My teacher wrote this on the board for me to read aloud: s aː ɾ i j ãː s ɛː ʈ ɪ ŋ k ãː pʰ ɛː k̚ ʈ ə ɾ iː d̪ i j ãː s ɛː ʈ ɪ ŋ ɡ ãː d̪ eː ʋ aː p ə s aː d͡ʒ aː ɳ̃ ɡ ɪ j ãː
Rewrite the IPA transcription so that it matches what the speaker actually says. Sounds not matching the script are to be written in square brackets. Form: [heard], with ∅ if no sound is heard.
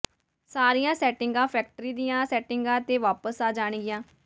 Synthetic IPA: s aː ɾ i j ãː s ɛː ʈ ɪ ŋ [ɡ] ãː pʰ ɛː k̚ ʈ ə ɾ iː d̪ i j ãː s ɛː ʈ ɪ ŋ ɡ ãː [t̪] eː ʋ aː p ə s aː d͡ʒ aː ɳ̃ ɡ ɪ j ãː